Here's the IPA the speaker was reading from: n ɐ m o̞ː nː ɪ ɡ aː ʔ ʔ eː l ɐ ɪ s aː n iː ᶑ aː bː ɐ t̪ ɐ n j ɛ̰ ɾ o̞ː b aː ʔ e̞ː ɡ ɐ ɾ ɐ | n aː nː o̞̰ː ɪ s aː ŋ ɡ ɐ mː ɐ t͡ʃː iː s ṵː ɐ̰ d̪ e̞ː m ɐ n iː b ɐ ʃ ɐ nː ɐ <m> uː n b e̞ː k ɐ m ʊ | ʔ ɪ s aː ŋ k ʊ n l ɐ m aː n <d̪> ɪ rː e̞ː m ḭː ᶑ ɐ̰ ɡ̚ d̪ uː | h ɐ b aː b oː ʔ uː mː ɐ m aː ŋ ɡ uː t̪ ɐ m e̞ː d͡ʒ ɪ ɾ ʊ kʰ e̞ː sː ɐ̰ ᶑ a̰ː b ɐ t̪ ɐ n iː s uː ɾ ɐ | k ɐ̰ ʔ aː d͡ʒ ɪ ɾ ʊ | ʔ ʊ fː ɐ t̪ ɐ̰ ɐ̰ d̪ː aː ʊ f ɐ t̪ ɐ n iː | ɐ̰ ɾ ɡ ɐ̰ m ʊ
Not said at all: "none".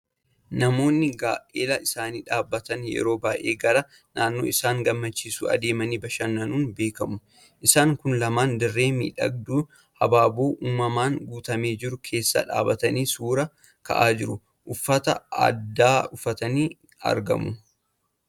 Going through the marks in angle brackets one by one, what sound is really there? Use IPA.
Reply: n, d̪

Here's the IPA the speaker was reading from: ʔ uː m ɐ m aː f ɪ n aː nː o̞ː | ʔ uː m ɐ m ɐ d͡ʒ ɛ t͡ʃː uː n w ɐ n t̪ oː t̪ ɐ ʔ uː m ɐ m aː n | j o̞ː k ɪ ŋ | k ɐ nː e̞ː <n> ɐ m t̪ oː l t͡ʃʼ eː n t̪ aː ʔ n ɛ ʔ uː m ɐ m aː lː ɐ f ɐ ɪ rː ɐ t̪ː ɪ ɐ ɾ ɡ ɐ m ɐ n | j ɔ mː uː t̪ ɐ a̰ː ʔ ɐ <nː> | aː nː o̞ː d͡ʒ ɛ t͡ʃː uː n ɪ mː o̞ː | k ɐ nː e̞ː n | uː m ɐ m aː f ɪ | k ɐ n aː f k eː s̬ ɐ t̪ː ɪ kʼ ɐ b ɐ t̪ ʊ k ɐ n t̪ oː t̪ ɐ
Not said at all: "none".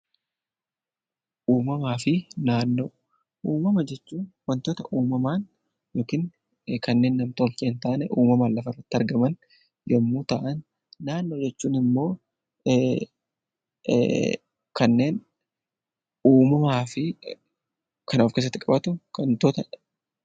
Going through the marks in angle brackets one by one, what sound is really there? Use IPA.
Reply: nː, nː

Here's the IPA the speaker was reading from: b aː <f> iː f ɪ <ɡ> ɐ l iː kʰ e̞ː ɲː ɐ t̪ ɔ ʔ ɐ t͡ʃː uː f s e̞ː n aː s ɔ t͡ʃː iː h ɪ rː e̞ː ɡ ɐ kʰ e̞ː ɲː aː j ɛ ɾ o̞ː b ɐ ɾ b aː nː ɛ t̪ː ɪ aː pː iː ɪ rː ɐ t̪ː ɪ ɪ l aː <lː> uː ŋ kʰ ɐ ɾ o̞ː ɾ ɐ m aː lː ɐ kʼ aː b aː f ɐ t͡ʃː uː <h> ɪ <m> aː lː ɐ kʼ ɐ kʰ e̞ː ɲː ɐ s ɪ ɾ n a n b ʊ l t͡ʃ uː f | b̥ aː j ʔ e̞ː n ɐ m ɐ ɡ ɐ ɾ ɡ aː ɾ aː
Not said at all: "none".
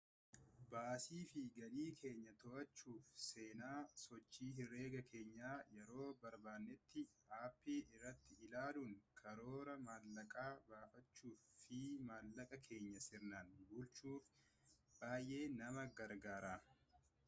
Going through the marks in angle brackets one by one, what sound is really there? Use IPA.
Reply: s, ɡ, l, f, m

